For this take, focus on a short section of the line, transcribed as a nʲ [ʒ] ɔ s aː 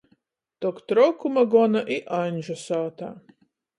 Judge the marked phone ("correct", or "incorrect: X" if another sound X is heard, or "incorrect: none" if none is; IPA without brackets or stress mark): correct